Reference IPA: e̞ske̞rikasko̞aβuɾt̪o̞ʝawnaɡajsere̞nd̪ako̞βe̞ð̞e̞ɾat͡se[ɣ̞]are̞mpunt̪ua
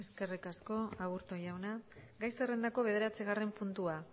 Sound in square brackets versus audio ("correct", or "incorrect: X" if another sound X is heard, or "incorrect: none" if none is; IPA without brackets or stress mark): correct